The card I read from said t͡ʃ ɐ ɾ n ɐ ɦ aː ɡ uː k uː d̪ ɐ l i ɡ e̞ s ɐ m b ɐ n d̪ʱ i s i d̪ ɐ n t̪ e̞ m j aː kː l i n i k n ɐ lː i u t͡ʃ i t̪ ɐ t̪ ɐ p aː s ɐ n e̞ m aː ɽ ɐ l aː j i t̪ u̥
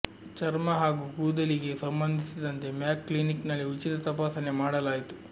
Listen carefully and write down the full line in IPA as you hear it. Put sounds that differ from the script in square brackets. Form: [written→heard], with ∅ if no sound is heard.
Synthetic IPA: t͡ʃ ɐ ɾ [n→m] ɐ ɦ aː ɡ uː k uː d̪ ɐ l i ɡ e̞ s ɐ m b ɐ n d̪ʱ i s i d̪ ɐ n t̪ e̞ m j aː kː l i n i k n ɐ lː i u t͡ʃ i t̪ ɐ t̪ ɐ p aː s ɐ n e̞ m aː ɽ ɐ l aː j i t̪ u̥